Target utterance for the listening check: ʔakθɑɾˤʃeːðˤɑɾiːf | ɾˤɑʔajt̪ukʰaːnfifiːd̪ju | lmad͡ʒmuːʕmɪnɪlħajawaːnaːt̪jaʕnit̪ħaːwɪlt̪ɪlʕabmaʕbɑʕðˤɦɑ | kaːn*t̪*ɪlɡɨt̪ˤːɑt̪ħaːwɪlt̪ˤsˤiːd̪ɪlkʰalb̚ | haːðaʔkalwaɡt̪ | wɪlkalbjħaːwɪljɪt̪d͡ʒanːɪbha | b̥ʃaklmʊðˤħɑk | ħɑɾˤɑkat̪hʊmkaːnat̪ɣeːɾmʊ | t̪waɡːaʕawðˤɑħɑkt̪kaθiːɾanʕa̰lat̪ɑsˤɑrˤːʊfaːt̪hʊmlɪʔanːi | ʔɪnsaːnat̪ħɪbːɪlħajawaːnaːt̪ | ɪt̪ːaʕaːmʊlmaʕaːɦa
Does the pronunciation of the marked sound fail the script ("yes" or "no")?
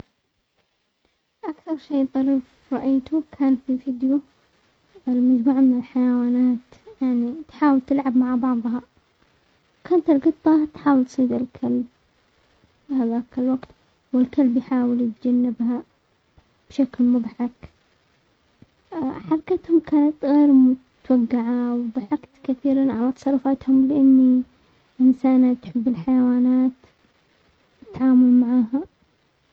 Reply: no